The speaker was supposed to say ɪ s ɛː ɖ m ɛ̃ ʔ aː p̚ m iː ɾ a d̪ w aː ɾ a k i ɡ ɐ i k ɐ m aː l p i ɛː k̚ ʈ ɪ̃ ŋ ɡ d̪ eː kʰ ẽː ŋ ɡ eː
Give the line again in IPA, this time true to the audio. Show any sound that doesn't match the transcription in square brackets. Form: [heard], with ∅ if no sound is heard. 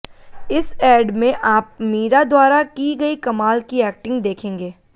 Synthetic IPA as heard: ɪ s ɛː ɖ m [ẽ] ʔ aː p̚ m iː ɾ a d̪ w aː ɾ a k i ɡ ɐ i k ɐ m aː l [k] i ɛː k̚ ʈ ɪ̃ ŋ ɡ d̪ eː kʰ ẽː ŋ ɡ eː